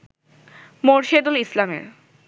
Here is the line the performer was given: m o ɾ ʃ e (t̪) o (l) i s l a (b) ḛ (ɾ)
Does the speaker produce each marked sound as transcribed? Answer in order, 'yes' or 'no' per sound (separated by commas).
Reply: no, yes, no, yes